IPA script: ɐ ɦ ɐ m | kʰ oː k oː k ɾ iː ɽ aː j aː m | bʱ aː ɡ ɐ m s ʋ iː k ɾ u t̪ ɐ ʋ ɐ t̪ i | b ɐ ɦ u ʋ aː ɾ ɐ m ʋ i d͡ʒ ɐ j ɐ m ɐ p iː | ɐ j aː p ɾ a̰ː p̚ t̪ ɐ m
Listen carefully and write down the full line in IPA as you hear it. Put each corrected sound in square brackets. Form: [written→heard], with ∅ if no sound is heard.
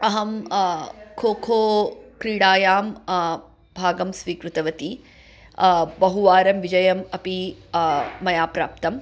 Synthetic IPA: ɐ ɦ ɐ m | kʰ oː [k→kʰ] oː k ɾ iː ɽ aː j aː m | bʱ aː ɡ ɐ m s ʋ iː k ɾ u t̪ ɐ ʋ ɐ t̪ i | b ɐ ɦ u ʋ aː ɾ ɐ m ʋ i d͡ʒ ɐ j ɐ m ɐ p iː | ɐ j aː p ɾ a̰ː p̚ t̪ ɐ m